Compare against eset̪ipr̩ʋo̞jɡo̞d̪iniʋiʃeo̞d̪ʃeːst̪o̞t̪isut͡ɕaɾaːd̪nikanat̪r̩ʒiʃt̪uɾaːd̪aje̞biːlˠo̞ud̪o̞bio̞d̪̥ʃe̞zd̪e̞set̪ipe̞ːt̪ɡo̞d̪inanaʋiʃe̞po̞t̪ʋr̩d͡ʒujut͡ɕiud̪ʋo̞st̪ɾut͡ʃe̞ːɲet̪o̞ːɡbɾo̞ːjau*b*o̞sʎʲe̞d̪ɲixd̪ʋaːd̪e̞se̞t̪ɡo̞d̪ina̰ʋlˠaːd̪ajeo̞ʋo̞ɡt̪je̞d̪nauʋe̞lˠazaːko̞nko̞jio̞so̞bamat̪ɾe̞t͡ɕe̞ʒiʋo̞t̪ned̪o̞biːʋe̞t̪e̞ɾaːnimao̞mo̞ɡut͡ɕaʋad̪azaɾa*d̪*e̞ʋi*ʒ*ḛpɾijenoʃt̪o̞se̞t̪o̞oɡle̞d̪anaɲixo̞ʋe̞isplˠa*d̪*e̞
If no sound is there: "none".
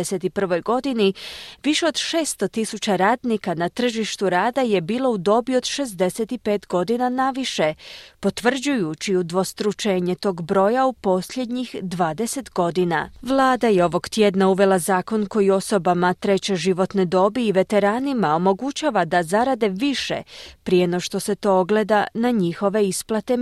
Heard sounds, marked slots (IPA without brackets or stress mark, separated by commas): p, d̪, ʃ, t̪